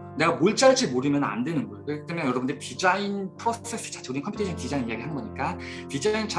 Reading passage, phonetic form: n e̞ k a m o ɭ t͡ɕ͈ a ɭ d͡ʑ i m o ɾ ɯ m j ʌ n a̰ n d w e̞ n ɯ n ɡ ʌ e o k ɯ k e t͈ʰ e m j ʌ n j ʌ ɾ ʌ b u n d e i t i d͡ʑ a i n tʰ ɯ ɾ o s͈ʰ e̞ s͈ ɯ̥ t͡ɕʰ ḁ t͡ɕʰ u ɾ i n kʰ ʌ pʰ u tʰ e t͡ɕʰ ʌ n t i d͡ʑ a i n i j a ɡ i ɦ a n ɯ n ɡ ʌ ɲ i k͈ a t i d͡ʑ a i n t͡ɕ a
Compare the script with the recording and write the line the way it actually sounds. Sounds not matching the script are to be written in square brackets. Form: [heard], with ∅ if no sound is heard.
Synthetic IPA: n e̞ [ɡ] a m o ɭ t͡ɕ͈ a ɭ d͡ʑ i m o ɾ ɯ m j ʌ n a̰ n d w e̞ n ɯ n ɡ ʌ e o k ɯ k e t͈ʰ e m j ʌ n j ʌ ɾ ʌ b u n d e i t i d͡ʑ a i n [pʰ] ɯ ɾ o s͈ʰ e̞ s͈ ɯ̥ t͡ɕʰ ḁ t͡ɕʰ u ɾ i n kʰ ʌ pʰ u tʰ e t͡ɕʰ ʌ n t i d͡ʑ a i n i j a ɡ i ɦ a n ɯ n ɡ ʌ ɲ i k͈ a t i d͡ʑ a i n t͡ɕ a